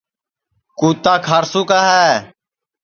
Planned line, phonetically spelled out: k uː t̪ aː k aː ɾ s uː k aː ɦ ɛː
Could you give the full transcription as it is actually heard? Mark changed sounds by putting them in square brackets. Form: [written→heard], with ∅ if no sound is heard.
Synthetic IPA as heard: k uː t̪ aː [k→kʰ] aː ɾ s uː k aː ɦ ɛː